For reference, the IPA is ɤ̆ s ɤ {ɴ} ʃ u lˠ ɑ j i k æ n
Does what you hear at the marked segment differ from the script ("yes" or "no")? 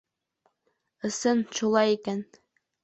yes